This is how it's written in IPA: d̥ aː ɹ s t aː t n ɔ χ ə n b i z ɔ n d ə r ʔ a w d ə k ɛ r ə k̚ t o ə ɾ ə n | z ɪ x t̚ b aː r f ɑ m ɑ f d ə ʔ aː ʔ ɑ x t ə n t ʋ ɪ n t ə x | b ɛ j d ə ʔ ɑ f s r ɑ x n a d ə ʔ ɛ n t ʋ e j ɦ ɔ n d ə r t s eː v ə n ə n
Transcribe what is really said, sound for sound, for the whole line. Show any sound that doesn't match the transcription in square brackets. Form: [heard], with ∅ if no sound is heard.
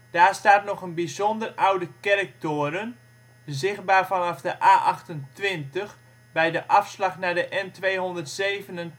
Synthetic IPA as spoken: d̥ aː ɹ s t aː t n ɔ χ ə n b i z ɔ n d ə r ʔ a w d ə k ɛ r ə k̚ t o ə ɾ ə n | z ɪ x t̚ b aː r f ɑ [n] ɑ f d ə ʔ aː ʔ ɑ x t ə n t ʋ ɪ n t ə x | b ɛ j d ə ʔ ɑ f s [l] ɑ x n a d ə ʔ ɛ n t ʋ e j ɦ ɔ n d ə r t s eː v ə n ə n